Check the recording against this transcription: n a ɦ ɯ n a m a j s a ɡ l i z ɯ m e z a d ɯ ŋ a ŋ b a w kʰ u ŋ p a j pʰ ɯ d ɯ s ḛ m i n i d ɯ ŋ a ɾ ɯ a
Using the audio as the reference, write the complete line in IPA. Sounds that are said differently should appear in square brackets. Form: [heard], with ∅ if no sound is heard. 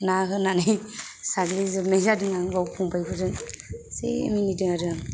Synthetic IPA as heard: n a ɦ ɯ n a [n] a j s a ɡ l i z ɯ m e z a d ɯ ŋ a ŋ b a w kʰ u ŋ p a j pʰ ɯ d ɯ s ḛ m i n i d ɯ ŋ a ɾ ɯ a